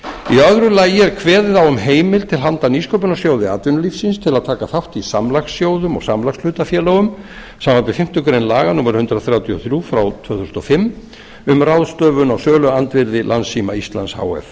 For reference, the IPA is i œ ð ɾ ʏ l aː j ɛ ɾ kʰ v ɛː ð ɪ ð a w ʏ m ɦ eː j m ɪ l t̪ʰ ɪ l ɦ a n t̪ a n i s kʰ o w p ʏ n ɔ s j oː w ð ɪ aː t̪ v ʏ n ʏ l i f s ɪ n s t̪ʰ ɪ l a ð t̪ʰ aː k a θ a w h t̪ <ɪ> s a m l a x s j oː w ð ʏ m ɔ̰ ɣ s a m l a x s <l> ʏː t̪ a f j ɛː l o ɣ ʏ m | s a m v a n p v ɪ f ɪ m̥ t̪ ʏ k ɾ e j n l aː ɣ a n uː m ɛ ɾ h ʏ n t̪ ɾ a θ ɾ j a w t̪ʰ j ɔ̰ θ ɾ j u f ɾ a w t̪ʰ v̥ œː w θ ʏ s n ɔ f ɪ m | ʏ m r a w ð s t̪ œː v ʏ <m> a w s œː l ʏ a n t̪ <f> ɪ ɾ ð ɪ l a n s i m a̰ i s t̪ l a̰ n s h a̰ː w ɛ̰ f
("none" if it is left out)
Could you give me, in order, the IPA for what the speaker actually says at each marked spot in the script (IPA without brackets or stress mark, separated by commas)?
i, l, n, v